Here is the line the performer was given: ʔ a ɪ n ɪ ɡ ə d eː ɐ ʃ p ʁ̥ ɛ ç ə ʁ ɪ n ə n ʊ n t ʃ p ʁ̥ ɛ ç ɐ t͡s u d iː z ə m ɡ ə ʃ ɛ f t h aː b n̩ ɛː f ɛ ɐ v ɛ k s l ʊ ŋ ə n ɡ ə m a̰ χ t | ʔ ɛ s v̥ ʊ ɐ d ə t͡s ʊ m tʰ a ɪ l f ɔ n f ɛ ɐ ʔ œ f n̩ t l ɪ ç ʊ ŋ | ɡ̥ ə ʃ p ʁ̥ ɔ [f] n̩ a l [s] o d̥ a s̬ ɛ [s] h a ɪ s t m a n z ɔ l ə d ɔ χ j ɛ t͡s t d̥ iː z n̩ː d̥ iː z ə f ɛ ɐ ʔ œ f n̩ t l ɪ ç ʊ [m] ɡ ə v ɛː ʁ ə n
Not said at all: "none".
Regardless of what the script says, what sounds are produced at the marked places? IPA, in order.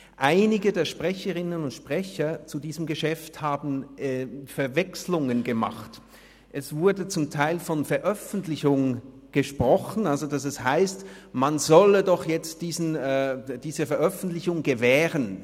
χ, z, s, ŋ

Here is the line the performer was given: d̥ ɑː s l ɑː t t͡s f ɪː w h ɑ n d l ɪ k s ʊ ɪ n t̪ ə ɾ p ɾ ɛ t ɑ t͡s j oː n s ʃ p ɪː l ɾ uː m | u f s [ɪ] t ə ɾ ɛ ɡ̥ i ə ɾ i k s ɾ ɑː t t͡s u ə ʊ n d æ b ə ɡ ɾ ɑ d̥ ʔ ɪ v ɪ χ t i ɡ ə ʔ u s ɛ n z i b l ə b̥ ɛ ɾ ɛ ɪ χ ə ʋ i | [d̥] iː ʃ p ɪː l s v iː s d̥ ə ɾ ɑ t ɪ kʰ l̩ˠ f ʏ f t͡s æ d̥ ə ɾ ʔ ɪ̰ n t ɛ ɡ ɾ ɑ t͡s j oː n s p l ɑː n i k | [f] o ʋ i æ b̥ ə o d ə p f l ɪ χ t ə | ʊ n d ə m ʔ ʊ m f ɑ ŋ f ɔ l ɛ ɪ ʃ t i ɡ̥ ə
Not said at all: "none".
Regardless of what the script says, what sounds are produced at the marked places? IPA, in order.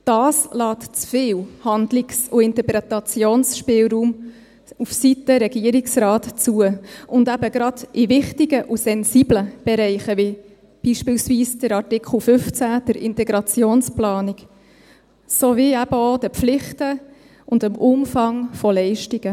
i, b̥, s

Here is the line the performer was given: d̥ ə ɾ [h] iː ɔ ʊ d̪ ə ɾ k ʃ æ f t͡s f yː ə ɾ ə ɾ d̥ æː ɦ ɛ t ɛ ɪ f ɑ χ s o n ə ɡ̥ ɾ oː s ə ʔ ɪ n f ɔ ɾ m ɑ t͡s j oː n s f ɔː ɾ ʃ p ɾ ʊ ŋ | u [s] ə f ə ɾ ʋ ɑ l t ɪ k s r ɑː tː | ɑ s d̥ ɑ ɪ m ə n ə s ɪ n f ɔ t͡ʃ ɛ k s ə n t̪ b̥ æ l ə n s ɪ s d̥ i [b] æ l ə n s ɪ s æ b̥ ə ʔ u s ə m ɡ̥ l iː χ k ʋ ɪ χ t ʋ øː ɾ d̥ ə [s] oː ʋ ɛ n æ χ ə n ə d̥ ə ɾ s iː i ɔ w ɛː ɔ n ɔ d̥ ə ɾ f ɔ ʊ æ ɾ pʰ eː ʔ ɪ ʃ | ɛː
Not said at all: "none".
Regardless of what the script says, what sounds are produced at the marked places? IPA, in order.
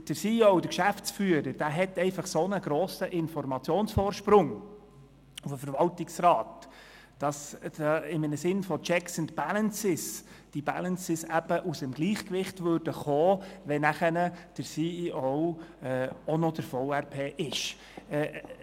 s, f, b, χ

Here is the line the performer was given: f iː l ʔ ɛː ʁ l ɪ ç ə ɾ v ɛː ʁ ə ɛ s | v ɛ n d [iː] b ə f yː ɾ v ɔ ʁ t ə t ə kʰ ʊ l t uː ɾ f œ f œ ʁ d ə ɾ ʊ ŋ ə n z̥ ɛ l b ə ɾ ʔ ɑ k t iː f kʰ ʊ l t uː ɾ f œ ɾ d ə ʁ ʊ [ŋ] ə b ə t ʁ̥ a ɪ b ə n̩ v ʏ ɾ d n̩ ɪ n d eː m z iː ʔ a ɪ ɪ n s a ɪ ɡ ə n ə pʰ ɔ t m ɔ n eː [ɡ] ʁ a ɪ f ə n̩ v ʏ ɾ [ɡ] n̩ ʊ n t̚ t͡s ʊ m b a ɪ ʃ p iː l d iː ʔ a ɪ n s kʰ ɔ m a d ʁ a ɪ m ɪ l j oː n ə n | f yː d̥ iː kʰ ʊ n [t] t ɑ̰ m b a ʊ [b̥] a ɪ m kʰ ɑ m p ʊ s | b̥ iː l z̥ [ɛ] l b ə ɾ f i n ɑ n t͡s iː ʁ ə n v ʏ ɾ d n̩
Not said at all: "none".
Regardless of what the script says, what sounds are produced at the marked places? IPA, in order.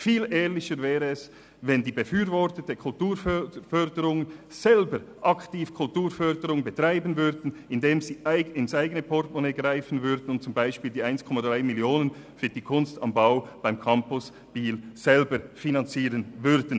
iː, ŋ, ɡ, d, s, b̥, ɛ

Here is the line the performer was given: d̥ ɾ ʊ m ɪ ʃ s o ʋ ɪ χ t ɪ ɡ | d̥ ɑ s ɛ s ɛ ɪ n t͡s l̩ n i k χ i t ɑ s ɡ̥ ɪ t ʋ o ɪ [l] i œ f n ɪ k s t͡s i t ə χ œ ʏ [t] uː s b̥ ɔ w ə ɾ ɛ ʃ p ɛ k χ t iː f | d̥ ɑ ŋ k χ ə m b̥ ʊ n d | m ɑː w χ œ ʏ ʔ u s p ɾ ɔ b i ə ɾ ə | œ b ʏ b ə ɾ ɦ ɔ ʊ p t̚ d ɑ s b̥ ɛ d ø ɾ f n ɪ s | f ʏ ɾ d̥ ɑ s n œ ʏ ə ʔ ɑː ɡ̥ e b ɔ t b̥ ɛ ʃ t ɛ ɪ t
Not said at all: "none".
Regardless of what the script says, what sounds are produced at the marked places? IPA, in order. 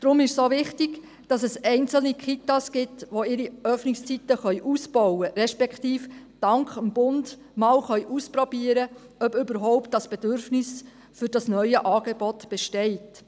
ɾ, ʔ

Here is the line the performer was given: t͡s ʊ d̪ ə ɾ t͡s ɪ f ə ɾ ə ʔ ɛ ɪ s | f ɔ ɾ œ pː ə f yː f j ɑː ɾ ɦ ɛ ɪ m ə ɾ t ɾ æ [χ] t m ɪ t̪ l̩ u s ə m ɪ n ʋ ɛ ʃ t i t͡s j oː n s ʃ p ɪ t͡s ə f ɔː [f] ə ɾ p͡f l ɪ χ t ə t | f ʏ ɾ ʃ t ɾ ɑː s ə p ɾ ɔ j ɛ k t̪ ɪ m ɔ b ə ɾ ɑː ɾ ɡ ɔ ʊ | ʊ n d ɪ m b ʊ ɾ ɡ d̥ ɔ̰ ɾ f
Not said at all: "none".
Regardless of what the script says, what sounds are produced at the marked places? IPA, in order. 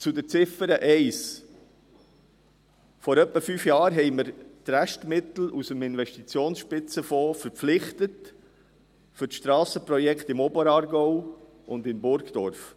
ʃ, f

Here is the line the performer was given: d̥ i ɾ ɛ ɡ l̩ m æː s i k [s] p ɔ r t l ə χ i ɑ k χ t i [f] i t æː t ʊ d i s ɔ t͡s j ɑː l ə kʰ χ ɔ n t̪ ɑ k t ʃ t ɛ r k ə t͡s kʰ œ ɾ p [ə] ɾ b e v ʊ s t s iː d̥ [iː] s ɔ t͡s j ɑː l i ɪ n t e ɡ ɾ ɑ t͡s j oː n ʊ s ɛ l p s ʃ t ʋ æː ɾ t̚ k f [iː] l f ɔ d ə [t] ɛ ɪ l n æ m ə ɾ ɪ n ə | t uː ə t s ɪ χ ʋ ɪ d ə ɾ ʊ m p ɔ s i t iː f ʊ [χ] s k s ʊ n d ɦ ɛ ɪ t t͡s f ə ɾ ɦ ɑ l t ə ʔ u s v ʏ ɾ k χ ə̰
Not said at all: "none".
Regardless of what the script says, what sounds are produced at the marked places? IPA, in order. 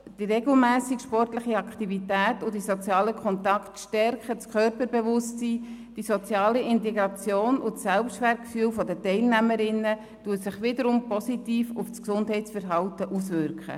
ʃ, v, ə, i, yː, t, f

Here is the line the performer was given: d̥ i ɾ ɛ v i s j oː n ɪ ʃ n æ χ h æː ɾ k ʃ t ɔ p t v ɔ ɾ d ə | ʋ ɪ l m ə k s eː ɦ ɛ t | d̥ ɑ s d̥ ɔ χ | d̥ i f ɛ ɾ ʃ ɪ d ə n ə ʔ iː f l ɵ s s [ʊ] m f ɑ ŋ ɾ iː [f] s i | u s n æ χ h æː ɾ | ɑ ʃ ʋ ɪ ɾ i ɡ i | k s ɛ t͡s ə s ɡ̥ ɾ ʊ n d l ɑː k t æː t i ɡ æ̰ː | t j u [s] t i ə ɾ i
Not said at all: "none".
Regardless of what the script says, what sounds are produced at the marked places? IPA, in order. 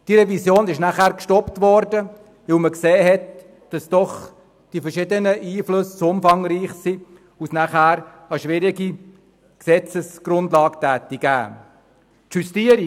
ʊ, χ, s

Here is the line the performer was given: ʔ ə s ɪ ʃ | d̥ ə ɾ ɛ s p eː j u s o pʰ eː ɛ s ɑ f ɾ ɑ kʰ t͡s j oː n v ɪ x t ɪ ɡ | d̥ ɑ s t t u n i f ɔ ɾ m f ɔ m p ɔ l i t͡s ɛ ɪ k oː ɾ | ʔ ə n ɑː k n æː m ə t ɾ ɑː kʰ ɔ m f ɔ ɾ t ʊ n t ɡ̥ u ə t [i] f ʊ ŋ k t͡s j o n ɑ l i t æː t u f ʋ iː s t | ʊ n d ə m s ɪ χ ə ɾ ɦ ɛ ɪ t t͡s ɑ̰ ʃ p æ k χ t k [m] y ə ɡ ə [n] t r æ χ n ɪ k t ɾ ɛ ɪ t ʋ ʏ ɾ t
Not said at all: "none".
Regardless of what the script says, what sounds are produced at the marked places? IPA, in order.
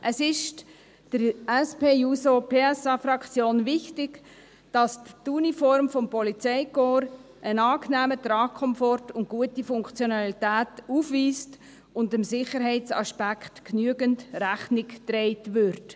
i, n, n

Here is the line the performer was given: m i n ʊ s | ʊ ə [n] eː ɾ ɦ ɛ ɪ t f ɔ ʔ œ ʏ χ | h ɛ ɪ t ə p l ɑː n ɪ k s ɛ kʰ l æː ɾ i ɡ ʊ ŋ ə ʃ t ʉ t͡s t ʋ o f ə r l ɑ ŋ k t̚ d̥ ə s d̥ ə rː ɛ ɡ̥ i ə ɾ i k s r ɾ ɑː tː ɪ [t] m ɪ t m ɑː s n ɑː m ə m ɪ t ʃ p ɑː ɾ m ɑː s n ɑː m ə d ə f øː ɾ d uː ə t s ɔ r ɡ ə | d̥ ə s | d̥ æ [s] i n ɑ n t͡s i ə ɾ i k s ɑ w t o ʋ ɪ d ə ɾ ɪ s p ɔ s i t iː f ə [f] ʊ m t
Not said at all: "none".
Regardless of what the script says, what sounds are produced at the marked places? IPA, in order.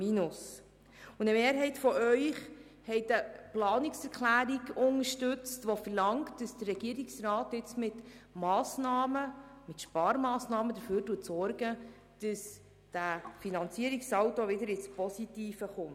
m, t͡s, f, χ

